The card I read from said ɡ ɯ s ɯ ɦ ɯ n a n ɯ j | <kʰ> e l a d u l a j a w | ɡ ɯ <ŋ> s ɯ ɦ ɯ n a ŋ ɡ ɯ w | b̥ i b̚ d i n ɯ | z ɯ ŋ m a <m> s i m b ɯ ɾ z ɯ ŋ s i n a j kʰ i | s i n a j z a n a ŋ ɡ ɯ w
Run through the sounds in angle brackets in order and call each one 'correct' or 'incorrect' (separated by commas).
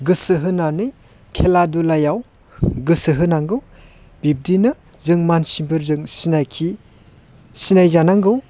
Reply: correct, incorrect, incorrect